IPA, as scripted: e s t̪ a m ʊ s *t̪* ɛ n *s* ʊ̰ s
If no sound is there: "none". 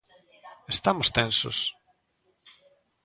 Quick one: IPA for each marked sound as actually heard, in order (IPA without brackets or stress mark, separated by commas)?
t̪, s